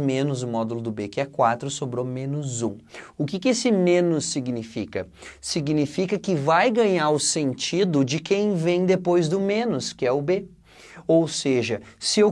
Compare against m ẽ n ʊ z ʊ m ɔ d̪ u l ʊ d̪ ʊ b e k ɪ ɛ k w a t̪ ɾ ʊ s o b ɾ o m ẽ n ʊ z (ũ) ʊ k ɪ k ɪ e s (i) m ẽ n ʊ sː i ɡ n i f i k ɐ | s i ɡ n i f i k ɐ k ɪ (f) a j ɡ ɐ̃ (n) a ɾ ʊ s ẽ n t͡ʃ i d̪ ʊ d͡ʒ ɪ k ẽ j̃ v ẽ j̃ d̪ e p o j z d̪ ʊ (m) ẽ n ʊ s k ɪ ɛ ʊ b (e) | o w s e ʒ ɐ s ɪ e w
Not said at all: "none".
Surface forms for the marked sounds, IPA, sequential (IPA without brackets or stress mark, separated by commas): ũ, ɪ, v, ɲ, m, e